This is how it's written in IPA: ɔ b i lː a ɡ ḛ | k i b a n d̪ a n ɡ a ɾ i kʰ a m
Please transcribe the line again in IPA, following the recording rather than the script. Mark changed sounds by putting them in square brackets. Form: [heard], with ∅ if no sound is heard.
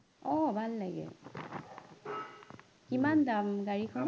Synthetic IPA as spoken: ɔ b [a] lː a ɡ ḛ | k i [m] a n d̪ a [m] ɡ a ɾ i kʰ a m